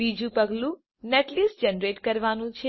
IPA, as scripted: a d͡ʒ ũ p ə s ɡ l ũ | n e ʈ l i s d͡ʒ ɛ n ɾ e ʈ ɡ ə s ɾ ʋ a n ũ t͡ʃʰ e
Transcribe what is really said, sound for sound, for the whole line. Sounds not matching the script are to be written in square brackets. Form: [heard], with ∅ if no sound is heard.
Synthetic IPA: [i] d͡ʒ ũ p ə [∅] ɡ l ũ | n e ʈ l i s d͡ʒ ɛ n ɾ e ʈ [k] ə [∅] ɾ ʋ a n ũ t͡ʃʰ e